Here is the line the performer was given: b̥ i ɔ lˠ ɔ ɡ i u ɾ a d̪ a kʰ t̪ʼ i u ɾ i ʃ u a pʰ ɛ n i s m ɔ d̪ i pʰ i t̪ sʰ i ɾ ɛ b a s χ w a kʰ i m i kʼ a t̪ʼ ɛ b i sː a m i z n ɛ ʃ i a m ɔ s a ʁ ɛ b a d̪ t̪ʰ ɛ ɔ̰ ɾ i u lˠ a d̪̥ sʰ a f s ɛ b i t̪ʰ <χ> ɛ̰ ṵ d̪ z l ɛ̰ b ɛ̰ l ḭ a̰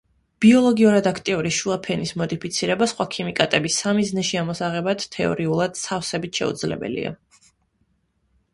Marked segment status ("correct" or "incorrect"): incorrect